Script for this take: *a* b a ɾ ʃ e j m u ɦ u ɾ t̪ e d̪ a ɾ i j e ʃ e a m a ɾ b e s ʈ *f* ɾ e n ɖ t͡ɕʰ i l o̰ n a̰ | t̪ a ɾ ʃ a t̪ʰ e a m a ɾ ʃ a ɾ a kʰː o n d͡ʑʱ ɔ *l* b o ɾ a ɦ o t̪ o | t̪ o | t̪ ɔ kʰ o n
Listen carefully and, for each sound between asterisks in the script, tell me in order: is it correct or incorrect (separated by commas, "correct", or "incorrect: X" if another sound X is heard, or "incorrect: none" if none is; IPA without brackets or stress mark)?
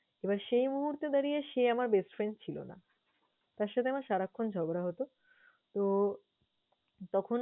incorrect: e, correct, incorrect: none